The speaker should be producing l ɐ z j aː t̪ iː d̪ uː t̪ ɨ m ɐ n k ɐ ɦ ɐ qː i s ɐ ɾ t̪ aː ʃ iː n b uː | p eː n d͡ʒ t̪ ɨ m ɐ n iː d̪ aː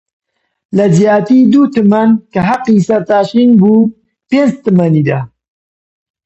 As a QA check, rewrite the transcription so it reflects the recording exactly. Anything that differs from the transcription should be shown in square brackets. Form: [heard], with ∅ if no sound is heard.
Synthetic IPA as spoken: l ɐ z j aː t̪ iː d̪ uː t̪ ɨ m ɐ n k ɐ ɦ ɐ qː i s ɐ ɾ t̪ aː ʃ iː n b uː | p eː n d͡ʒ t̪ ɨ m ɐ n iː d̪ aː